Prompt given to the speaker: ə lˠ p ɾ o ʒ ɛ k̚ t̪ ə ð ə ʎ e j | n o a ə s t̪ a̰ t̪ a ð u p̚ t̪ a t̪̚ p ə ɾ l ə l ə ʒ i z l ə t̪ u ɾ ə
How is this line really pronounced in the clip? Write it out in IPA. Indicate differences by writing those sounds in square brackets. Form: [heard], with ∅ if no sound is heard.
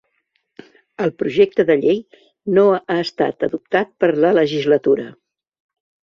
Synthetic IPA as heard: ə lˠ p ɾ [u] ʒ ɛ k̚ t̪ ə ð ə ʎ e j | n o a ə s t̪ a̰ t̪ [ə] ð u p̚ t̪ a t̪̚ p ə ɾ l ə l ə ʒ i z l ə t̪ u ɾ ə